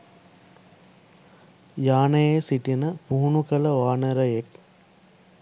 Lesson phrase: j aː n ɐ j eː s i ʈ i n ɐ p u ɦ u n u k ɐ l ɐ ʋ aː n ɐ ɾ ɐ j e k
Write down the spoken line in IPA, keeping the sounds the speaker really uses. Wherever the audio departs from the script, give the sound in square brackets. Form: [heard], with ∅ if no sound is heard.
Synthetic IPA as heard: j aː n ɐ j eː s i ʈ i n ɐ p u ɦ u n u k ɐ l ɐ ʋ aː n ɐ ɾ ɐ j e k